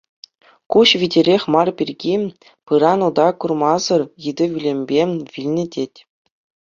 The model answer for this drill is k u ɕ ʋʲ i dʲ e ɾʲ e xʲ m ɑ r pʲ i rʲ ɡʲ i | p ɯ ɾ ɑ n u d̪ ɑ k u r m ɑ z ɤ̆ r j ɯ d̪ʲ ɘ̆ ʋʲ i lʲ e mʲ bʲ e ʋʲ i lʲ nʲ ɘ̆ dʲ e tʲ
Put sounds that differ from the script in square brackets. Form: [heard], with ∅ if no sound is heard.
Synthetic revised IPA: k u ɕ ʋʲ i dʲ e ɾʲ e xʲ m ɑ r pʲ i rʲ ɡʲ i | p ɯ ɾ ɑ n u d̪ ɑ k u r m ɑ z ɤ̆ r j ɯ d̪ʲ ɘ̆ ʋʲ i lʲ e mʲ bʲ e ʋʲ i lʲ nʲ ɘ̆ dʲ e tʲ